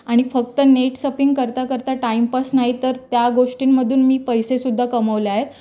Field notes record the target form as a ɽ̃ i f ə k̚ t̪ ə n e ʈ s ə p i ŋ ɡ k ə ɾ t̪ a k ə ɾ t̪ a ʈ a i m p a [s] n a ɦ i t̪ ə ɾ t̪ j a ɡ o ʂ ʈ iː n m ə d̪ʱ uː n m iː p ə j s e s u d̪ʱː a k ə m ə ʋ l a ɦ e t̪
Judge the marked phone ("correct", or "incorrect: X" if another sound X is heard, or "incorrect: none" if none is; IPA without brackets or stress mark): correct